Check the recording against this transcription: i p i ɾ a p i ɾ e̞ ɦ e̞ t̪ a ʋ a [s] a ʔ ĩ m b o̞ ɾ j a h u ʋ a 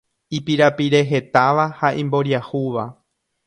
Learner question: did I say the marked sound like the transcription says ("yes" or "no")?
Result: no